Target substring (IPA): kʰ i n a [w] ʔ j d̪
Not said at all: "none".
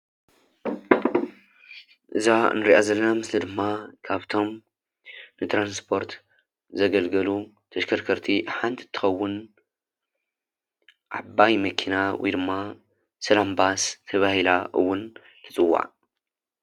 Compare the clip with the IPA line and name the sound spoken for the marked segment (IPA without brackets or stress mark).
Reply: w